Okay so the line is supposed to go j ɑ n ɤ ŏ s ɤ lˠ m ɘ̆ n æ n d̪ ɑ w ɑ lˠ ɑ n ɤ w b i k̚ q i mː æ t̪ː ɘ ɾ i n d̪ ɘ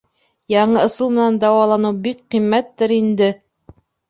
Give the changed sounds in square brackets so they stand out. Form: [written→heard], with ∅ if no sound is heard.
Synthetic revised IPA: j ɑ [n→ɴ] ɤ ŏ s ɤ lˠ m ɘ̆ n æ n d̪ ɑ w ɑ lˠ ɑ n ɤ w b i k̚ q i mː æ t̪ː ɘ ɾ i n d̪ ɘ